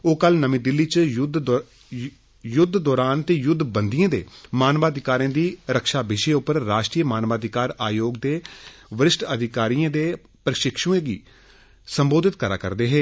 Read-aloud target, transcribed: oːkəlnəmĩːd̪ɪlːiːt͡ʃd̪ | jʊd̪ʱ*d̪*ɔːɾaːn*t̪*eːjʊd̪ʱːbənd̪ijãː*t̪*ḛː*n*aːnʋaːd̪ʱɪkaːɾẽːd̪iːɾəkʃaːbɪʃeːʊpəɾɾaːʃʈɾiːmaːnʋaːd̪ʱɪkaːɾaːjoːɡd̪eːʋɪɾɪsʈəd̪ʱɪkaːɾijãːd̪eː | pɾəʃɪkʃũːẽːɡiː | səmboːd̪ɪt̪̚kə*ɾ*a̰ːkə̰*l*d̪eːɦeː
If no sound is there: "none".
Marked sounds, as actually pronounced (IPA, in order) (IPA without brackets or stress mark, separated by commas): d̪, t̪, d̪, m, ɾ, ɾ